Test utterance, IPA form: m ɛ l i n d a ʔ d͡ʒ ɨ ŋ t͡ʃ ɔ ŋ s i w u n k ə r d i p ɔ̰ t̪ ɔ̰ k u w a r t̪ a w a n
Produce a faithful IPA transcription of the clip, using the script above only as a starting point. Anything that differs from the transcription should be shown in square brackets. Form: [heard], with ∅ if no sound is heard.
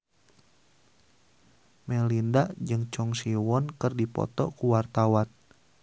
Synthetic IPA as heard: m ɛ l i n d a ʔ d͡ʒ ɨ ŋ t͡ʃ ɔ ŋ s i w [ɔ] n k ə r d i p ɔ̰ t̪ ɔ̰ k u w a r t̪ a w a n